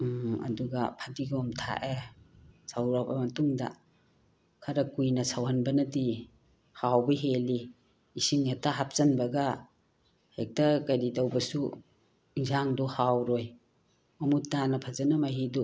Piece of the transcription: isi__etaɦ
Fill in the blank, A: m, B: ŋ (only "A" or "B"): B